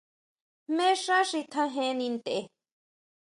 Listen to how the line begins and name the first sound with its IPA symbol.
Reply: m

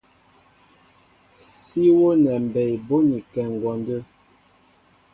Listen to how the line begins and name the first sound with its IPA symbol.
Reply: s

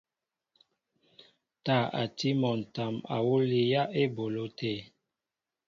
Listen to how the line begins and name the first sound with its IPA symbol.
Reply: t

